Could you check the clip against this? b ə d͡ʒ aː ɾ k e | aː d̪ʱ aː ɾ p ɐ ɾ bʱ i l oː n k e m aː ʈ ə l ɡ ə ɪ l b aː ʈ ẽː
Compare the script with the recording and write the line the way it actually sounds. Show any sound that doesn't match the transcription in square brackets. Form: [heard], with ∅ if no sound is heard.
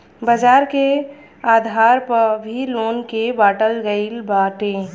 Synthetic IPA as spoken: b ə d͡ʒ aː ɾ k e | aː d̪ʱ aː ɾ p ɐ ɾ bʱ i l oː n k e [b] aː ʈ ə l ɡ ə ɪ l b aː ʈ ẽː